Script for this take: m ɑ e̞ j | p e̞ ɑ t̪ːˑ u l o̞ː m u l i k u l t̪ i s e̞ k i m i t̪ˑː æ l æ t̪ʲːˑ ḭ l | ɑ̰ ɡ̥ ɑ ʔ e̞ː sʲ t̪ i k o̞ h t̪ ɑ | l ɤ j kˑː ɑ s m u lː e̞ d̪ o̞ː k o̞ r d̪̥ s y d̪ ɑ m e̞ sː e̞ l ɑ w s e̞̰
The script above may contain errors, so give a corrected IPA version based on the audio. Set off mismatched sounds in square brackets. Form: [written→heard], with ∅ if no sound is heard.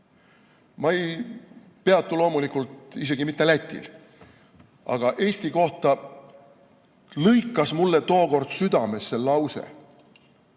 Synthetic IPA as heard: m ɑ e̞ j | p e̞ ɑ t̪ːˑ u l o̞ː m u l i k u l t̪ i s e̞ [k→ɡ] i m i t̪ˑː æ l æ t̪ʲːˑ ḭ l | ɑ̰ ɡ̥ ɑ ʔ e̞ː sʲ t̪ i k o̞ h t̪ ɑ | l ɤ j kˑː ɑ s m u lː e̞ [d̪→t̪] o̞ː k o̞ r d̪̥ s y d̪ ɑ m e̞ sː e̞ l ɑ w s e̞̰